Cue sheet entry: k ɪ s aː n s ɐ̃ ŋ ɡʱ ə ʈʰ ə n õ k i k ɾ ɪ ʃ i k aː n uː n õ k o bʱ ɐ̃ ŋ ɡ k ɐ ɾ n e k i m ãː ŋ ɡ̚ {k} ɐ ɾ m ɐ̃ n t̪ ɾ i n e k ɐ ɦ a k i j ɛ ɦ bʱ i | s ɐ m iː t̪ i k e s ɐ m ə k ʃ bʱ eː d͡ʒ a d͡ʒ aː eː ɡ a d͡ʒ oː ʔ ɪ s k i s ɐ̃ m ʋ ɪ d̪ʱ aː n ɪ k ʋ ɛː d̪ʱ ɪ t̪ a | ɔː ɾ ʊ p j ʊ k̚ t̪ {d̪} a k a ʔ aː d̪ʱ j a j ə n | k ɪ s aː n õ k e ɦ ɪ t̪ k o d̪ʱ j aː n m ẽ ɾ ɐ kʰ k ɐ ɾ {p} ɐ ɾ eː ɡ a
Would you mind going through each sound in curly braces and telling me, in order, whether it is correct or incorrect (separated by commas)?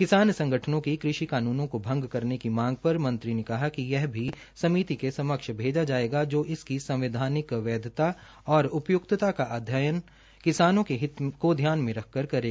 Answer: incorrect, incorrect, incorrect